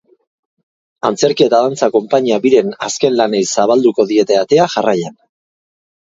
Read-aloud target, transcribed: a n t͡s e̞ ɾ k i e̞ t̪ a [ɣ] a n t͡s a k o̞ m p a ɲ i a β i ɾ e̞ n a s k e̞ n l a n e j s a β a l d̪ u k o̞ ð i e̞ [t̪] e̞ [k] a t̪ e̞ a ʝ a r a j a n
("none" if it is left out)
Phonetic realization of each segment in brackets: ð, t̪, none

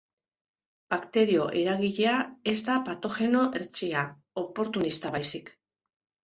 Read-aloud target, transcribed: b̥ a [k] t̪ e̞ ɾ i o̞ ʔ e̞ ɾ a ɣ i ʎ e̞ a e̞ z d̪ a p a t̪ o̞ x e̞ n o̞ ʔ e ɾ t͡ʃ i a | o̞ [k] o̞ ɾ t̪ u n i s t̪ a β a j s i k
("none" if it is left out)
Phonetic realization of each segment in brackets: k, p

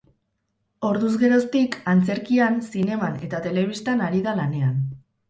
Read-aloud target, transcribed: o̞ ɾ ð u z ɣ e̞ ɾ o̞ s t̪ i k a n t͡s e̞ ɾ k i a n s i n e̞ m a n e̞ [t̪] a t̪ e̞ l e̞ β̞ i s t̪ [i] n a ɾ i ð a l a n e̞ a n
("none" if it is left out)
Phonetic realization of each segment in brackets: t̪, a

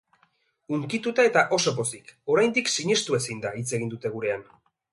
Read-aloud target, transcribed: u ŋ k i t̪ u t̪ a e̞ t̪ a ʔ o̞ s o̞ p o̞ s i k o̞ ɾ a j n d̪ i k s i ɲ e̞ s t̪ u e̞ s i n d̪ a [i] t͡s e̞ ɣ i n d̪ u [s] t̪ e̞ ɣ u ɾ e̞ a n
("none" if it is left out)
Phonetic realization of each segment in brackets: i, none

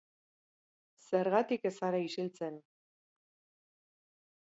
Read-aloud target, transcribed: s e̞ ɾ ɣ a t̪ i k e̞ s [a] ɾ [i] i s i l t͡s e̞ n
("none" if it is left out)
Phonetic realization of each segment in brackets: a, a

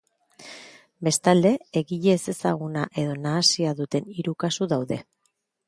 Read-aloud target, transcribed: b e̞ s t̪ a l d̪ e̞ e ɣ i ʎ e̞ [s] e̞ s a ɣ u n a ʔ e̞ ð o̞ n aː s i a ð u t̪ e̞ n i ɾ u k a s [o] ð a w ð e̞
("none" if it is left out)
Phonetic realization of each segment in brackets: s, u

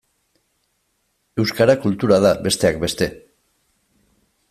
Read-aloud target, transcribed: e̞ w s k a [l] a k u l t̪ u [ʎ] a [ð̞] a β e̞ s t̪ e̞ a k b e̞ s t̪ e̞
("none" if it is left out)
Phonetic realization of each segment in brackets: ɾ, ɾ, ð̞

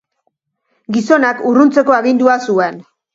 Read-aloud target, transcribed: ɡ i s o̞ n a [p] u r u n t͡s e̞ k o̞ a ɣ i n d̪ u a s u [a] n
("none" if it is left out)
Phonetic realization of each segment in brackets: k, e

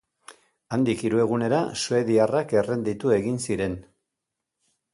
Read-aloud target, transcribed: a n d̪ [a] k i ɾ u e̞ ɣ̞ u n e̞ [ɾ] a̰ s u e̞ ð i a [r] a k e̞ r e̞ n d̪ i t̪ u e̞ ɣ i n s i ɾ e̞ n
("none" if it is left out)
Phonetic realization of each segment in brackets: i, ɾ, r

